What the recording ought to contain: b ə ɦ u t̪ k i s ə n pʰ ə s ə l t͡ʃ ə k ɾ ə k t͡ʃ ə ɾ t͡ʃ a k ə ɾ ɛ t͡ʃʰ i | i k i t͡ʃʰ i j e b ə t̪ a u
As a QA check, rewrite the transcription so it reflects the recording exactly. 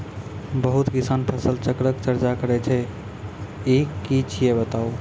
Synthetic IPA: b ə ɦ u t̪ k i s a n pʰ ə s ə l t͡ʃ ə k ɾ ə k t͡ʃ ə ɾ t͡ʃ a k ə ɾ ɛ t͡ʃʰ ɛ | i k i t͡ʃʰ i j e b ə t̪ a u

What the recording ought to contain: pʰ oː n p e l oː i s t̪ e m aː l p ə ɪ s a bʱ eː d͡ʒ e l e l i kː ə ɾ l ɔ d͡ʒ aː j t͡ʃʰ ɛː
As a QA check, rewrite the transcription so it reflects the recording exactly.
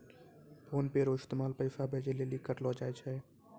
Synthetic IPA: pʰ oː n p e ɾ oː ɪ s t̪ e m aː l p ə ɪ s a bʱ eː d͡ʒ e l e l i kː ə ɾ l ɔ d͡ʒ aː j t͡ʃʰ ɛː

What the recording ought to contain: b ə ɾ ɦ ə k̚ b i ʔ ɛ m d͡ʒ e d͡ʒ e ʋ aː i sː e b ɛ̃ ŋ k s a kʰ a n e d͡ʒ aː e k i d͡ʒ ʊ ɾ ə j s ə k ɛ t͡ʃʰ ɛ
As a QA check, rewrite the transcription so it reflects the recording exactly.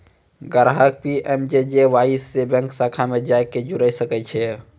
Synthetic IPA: ɡ ə ɾ ɦ ə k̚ p i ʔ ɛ m d͡ʒ e d͡ʒ e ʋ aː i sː e b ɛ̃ ŋ k s a kʰ a m e d͡ʒ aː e k e d͡ʒ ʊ ɾ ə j s ə k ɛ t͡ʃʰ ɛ

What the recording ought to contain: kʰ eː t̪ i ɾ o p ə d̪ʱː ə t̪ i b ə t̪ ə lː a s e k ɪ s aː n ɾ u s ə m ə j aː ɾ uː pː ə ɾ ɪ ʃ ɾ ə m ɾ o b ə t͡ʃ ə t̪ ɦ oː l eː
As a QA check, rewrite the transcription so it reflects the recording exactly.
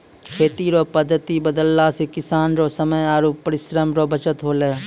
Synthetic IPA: kʰ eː t̪ i ɾ o p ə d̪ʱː ə t̪ i b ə d̪ ə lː a s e k ɪ s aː n ɾ o s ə m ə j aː ɾ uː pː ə ɾ ɪ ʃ ɾ ə m ɾ o b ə t͡ʃ ə t̪ ɦ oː l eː

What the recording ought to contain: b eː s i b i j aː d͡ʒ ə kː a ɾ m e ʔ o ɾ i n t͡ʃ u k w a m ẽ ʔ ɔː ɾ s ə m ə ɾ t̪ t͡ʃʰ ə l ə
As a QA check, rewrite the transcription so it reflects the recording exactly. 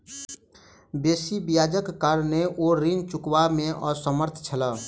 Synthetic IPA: b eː s i b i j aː d͡ʒ ə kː a ɾ n e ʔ o ɾ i n t͡ʃ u k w a m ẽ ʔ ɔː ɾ s ə m ə ɾ t̪ʰ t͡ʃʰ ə l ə

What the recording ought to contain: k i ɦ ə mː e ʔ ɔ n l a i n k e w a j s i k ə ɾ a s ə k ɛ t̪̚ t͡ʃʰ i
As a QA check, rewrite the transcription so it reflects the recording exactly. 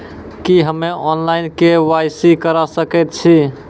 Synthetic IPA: k i ɦ ə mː e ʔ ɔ n l a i n k e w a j s i k ə ɾ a s ə k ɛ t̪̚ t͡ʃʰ i

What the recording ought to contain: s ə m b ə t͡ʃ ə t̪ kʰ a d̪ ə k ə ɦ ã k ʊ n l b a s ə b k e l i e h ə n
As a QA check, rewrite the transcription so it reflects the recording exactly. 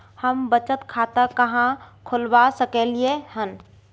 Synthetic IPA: h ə m b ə t͡ʃ ə t̪ kʰ a t̪ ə k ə ɦ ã kʰ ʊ l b a s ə k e l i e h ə n

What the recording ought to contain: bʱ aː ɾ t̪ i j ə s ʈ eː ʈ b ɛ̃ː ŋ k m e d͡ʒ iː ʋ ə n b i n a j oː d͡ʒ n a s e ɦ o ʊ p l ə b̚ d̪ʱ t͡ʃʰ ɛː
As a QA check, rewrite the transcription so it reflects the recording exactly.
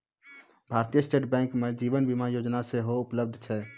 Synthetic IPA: bʱ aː ɾ t̪ i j ə s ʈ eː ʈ b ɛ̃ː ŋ k m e d͡ʒ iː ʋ ə n b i m a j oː d͡ʒ n a s e ɦ o ʊ p l ə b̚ d̪ʱ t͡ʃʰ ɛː

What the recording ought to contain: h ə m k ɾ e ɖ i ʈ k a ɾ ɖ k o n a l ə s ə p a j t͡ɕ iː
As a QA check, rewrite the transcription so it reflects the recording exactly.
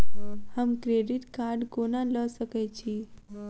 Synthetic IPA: h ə m k ɾ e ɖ i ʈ k a ɾ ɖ k o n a l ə s ə k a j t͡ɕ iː

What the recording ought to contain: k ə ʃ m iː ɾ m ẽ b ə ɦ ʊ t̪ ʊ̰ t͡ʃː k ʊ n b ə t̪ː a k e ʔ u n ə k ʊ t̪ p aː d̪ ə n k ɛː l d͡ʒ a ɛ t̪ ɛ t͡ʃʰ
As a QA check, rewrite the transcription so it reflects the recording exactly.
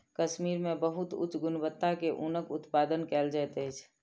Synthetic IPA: k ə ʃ m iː ɾ m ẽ b ə ɦ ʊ t̪ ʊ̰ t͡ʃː ɡ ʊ n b ə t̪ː a k e ʔ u n ə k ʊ t̪ p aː d̪ ə n k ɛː l d͡ʒ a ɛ t̪ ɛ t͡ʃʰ

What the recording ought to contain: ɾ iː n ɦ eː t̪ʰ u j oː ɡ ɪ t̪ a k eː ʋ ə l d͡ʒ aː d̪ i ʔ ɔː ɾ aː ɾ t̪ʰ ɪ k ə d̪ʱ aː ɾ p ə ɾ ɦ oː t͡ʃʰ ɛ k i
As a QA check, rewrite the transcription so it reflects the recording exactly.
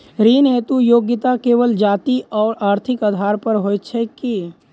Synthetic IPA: ɾ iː n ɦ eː t̪ u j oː ɡ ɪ t̪ a k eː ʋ ə l d͡ʒ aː t̪ i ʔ ɔː ɾ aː ɾ t̪ʰ ɪ k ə d̪ʱ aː ɾ p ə ɾ ɦ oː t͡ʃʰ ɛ k i

